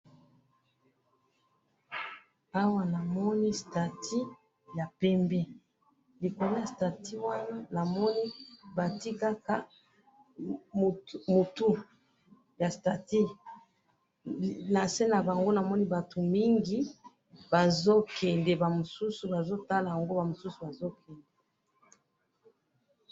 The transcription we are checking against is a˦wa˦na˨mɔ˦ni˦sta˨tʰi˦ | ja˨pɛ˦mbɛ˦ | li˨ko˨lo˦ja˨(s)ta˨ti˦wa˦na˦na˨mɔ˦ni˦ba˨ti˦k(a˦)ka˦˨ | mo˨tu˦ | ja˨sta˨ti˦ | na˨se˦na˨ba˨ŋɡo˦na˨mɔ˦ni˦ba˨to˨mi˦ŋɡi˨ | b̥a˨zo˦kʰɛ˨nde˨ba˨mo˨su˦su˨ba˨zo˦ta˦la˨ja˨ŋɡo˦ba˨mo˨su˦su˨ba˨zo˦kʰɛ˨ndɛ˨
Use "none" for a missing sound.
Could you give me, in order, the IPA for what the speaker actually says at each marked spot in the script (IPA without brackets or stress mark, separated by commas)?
s, a˦